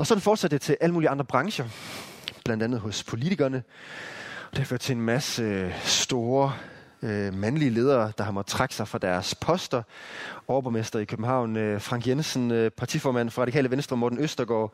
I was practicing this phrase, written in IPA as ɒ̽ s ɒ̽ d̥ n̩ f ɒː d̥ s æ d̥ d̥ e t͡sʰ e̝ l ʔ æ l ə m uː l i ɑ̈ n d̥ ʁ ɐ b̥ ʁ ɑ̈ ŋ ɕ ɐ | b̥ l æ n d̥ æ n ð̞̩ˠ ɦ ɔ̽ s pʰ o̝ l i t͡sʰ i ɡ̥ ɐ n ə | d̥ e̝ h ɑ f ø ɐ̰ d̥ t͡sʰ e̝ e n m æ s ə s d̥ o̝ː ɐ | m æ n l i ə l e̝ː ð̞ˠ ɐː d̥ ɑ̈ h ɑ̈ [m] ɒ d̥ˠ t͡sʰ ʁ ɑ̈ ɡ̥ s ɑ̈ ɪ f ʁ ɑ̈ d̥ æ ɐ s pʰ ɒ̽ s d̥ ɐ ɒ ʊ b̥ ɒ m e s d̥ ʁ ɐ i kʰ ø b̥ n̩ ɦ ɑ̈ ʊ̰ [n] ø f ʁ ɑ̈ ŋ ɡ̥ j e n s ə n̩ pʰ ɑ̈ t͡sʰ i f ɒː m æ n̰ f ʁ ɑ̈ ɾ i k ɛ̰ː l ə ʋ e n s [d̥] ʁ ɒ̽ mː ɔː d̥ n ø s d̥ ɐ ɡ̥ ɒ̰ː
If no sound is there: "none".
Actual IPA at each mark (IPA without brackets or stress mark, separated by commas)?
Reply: m, n, d̥